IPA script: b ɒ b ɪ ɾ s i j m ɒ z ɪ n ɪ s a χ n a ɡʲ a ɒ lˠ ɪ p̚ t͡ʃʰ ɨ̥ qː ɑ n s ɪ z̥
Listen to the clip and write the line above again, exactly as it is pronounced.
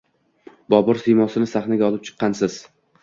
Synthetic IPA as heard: b ɒ b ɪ ɾ s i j m ɒ s ɪ n ɪ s a χ n a ɡʲ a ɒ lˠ ɪ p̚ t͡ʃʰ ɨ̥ qː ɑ n s ɪ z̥